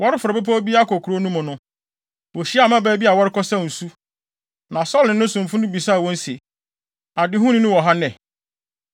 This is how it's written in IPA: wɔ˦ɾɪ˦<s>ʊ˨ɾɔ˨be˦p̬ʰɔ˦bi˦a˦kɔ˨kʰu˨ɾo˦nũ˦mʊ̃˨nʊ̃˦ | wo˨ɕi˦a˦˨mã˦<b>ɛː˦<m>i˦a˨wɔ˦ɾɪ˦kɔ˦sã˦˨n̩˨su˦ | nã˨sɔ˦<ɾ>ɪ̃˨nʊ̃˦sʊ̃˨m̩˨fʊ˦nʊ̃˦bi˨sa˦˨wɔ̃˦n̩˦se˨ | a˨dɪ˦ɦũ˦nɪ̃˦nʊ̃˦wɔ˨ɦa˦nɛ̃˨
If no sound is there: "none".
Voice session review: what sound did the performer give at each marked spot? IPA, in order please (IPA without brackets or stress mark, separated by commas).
f, b, b, l